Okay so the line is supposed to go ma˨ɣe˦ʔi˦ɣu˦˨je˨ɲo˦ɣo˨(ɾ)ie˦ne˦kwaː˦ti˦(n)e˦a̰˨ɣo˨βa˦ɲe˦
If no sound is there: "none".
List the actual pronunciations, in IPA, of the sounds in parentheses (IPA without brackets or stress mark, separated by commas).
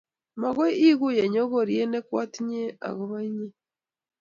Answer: ɾ, ɲ